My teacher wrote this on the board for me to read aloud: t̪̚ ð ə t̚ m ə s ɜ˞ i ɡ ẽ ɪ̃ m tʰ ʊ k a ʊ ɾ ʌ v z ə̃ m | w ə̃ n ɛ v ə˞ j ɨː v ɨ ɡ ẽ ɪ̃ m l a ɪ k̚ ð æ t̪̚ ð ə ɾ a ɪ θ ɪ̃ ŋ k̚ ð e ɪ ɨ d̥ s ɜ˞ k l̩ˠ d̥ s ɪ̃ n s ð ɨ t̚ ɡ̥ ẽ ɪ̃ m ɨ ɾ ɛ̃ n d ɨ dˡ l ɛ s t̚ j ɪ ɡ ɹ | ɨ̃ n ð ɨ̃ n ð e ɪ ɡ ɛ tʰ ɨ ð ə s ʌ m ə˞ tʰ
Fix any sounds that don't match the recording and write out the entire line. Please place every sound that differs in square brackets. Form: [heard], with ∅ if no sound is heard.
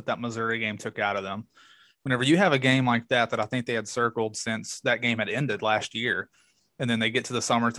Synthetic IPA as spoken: t̪̚ ð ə t̚ m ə [z] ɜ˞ i ɡ ẽ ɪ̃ m tʰ ʊ k a ʊ ɾ ʌ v [ð] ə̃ m | w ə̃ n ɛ v ə˞ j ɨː v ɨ ɡ ẽ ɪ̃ m l a ɪ k̚ ð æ t̪̚ ð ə ɾ a ɪ θ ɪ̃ ŋ k̚ ð e ɪ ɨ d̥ s ɜ˞ k l̩ˠ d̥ s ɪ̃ n s ð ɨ t̚ ɡ̥ ẽ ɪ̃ m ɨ ɾ ɛ̃ n d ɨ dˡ l [æ] s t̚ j ɪ [∅] ɹ | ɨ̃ n ð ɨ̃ n ð e ɪ ɡ ɛ tʰ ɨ ð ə s ʌ m ə˞ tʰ